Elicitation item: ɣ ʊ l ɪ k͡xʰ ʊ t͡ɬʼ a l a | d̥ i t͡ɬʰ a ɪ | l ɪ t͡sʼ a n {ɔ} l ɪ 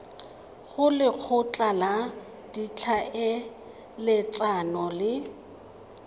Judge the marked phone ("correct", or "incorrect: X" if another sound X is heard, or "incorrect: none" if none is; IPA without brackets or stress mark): correct